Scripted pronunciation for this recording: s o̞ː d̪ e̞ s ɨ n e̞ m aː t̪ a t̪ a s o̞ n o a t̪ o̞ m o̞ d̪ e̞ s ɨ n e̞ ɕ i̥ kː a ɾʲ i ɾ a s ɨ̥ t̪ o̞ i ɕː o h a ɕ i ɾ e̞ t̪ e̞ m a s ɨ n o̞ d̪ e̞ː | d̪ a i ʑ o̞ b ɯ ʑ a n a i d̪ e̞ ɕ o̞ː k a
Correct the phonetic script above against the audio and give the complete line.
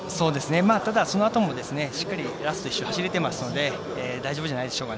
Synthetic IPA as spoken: s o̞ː d̪ e̞ s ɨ n e̞ m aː t̪ a d̪ a s o̞ n o a t̪ o̞ m o̞ d̪ e̞ s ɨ n e̞ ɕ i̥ kː a ɾʲ i ɾ a s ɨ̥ t̪ o̞ i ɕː o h a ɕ i ɾ e̞ t̪ e̞ m a s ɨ n o̞ d̪ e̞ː | d̪ a i ʑ o̞ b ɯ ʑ a n a i d̪ e̞ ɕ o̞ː k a